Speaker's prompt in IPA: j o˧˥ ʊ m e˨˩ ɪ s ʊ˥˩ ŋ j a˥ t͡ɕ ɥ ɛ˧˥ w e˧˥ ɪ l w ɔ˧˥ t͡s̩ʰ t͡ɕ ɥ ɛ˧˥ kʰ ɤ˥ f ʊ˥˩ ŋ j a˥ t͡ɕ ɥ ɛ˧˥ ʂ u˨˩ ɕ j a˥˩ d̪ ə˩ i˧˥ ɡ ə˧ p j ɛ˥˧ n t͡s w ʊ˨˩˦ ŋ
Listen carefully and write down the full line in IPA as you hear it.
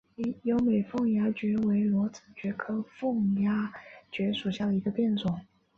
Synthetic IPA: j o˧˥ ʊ m e˨˩ ɪ f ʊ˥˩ ŋ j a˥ t͡ɕ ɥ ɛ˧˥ w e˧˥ ɪ l w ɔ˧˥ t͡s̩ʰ t͡ɕ ɥ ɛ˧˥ kʰ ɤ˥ f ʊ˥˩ ŋ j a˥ t͡ɕ ɥ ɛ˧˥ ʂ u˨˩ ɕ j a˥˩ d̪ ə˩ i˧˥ ɡ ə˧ p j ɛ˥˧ n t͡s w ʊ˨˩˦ ŋ